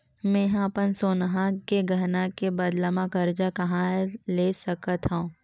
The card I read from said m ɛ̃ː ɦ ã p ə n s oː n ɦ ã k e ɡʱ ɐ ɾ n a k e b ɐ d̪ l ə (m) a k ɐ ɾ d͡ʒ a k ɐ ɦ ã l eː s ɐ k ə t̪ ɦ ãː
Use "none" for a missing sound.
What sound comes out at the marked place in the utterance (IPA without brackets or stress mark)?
m